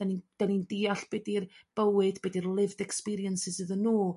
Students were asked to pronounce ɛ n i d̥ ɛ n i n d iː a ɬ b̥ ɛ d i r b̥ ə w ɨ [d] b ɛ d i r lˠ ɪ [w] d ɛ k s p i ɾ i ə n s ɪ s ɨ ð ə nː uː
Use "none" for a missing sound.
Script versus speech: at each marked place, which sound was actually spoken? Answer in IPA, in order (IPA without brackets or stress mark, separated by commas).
d, v